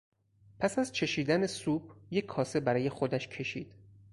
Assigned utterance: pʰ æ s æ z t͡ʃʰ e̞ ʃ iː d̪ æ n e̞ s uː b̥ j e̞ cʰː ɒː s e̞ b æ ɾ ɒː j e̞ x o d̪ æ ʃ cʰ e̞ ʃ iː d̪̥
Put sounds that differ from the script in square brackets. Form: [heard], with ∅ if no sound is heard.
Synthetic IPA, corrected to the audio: pʰ æ s æ z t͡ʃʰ e̞ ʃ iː d̪ æ n e̞ s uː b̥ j e̞ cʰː ɒː s e̞ b æ ɾ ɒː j e̞ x o d̪ æ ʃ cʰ e̞ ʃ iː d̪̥